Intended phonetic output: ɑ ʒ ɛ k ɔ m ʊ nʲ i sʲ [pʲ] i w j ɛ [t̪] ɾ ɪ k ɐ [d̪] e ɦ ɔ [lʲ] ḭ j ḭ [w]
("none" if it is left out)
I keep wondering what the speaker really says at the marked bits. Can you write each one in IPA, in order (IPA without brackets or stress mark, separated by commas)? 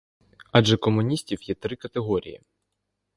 tʲ, t̪, t̪, ɾʲ, none